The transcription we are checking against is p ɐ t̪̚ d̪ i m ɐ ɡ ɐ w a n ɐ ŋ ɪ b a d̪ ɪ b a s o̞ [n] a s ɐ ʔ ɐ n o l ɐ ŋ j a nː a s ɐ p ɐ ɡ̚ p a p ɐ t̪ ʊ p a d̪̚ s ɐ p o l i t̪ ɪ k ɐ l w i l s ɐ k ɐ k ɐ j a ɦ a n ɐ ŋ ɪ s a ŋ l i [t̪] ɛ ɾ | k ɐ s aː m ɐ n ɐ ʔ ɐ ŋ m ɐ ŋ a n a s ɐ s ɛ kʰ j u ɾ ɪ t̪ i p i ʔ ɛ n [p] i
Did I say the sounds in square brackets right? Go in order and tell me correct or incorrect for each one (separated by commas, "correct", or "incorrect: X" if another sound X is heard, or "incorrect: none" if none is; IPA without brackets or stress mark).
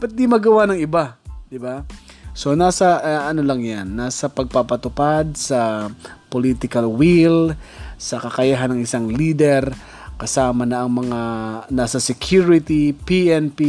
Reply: correct, incorrect: d̪, correct